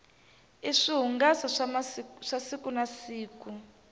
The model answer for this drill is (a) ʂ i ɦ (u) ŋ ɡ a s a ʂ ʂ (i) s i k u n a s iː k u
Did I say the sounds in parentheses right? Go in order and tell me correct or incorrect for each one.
incorrect, correct, incorrect

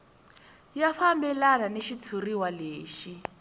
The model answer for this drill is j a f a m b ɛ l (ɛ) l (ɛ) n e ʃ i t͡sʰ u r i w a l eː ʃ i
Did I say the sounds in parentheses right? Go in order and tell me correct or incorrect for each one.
incorrect, incorrect

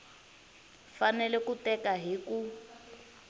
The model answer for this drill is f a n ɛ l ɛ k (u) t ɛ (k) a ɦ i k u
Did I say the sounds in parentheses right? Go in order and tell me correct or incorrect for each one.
correct, correct

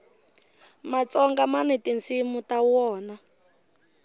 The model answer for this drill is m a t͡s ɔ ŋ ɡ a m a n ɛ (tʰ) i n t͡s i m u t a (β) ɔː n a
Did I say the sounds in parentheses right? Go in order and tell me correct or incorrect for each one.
incorrect, incorrect

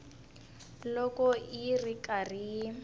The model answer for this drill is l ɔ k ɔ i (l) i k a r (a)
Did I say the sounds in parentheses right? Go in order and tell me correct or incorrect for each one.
incorrect, incorrect

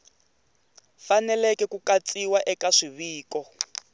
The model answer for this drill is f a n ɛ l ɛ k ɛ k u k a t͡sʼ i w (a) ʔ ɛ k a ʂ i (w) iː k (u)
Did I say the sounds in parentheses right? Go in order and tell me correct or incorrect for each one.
correct, incorrect, incorrect

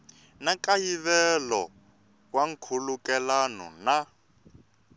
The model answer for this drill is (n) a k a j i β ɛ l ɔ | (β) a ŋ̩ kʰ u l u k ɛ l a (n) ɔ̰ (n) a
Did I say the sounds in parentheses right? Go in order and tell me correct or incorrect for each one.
correct, incorrect, correct, correct

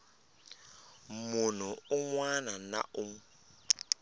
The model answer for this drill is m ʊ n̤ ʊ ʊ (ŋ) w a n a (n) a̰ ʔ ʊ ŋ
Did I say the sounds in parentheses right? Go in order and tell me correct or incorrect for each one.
correct, correct

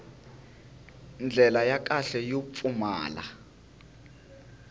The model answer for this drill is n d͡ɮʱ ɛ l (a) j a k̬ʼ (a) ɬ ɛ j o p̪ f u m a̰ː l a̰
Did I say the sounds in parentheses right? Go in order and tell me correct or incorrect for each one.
correct, correct

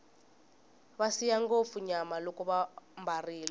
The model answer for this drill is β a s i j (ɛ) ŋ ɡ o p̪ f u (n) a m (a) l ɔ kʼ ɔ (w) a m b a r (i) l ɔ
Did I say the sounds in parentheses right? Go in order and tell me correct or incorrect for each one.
incorrect, incorrect, correct, incorrect, incorrect

